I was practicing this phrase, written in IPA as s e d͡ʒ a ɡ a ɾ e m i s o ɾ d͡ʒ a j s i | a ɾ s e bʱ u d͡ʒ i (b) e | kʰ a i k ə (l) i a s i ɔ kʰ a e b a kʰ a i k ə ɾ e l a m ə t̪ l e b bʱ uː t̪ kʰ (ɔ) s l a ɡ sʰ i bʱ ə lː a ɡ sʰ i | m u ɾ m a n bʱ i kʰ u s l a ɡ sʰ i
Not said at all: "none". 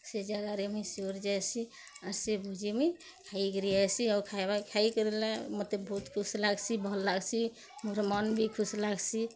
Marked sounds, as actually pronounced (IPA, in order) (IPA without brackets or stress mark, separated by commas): m, ɾ, u